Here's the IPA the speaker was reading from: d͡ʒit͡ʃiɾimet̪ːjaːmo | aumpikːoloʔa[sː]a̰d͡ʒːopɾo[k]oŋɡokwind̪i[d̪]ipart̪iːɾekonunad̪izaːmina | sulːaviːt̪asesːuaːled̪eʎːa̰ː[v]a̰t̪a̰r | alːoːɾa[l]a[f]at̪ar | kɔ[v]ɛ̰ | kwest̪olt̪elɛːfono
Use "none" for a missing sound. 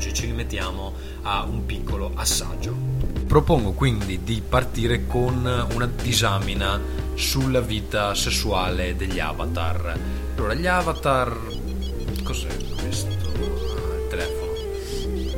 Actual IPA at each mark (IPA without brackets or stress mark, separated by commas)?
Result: sː, p, d̪, v, ʎ, v, z